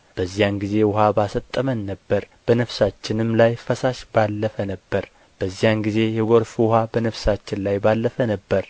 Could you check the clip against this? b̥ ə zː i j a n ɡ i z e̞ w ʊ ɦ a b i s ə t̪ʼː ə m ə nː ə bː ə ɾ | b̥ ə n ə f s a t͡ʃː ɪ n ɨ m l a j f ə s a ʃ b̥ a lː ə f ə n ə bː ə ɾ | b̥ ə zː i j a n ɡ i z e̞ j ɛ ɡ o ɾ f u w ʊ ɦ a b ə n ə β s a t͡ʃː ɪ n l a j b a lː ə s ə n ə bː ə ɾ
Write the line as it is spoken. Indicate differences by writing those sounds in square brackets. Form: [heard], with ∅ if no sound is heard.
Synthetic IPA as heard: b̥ ə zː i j a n ɡ i z e̞ w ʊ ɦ a b [a] s ə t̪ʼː ə m ə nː ə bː ə ɾ | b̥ ə n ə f s a t͡ʃː ɪ n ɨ m l a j f ə s a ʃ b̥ a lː ə f ə n ə bː ə ɾ | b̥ ə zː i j a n ɡ i z e̞ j ɛ ɡ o ɾ f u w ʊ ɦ a b ə n ə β s a t͡ʃː ɪ n l a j b a lː ə [f] ə n ə bː ə ɾ